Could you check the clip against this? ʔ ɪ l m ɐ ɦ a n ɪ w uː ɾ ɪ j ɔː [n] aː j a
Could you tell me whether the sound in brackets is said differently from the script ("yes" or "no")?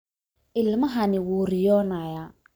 no